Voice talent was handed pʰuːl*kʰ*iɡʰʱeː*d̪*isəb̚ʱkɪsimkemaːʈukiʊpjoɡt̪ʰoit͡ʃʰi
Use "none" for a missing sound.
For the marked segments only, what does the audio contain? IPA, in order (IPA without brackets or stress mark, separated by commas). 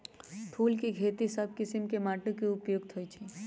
k, t̪